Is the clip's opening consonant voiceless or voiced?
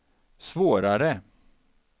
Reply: voiceless